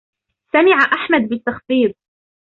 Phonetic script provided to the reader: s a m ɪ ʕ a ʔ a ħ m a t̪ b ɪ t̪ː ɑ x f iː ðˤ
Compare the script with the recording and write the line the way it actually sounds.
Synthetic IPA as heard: s a m ɪ ʕ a ʔ a ħ m a d̪ b ɪ t̪ː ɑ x f iː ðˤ